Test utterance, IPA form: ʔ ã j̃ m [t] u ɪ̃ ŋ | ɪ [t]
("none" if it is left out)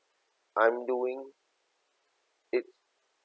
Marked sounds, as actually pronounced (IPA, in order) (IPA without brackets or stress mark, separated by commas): d, t